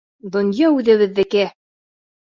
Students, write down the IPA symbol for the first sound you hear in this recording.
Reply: d̪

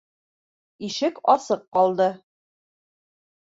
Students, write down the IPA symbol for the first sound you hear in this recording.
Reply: i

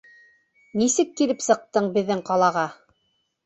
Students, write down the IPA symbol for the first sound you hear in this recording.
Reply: n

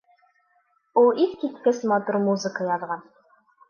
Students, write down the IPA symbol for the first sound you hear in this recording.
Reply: u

